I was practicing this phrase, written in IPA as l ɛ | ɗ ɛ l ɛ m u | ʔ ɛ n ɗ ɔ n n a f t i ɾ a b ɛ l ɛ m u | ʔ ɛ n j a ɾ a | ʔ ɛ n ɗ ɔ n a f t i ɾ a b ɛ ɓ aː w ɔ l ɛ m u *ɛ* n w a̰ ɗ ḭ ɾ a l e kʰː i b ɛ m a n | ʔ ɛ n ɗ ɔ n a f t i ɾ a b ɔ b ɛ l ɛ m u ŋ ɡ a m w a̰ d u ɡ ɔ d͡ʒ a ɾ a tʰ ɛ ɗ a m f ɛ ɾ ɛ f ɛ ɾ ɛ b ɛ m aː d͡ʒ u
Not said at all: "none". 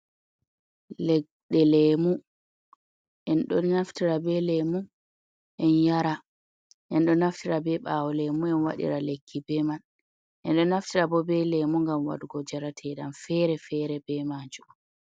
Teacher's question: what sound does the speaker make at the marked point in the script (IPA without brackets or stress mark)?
ɛ